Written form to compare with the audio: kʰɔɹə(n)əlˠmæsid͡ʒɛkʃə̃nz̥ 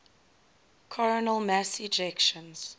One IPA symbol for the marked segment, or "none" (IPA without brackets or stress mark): n